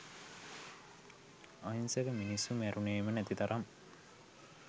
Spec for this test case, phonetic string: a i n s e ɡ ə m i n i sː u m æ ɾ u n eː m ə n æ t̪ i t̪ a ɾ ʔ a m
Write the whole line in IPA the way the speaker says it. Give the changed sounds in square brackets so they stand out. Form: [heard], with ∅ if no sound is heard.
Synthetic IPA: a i n s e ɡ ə m i n i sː u m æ ɾ u n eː m ə n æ t̪ i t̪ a ɾ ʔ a m

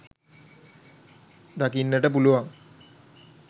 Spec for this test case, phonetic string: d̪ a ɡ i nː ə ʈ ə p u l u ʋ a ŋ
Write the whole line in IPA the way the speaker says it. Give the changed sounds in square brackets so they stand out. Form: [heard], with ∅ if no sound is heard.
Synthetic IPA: d̪ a [k] i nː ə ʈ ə p u l u ʋ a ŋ

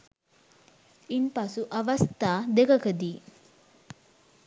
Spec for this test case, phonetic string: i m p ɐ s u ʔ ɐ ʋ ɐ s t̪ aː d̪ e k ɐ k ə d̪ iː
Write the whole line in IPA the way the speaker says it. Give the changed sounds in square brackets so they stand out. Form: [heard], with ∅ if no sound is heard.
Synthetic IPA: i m p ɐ s u ʔ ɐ ʋ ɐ s t̪ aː d̪ e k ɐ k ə d̪ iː

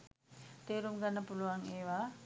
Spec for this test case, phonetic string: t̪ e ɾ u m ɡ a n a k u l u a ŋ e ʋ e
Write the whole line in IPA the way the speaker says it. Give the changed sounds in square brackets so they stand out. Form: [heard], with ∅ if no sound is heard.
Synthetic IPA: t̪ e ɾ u m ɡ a n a [p] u l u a ŋ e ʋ [a]

